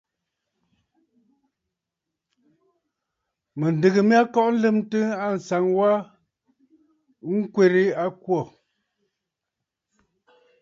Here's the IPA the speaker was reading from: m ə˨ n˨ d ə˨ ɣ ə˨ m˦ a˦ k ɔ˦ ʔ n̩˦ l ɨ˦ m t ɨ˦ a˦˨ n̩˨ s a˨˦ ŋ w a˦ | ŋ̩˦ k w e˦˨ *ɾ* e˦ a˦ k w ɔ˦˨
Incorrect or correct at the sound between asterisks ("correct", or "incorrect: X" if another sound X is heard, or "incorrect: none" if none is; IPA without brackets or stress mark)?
correct